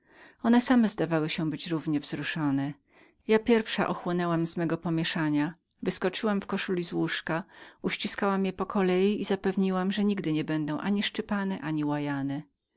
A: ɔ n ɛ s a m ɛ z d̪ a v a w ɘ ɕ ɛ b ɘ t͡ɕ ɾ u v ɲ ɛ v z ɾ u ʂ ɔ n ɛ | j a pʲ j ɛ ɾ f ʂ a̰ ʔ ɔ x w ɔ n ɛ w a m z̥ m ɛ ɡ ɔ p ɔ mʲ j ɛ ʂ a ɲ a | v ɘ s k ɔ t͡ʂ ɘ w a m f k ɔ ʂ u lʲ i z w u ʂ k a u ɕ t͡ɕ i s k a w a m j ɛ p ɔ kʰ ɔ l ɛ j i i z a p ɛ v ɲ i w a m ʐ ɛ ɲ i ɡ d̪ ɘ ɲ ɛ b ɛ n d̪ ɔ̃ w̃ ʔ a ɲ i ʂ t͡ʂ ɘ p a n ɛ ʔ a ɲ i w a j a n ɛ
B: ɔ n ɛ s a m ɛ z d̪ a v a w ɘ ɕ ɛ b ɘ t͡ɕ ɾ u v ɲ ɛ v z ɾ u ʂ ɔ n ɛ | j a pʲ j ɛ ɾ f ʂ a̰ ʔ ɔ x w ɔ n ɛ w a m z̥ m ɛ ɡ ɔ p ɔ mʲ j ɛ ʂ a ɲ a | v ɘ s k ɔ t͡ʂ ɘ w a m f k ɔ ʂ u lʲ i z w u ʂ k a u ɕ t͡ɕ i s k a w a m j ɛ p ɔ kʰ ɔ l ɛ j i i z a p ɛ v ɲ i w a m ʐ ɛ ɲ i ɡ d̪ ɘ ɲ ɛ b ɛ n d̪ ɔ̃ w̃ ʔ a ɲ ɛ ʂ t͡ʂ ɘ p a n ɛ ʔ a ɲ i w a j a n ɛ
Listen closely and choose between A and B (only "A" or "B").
A